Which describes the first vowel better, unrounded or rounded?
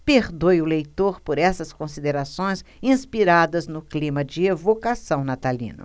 unrounded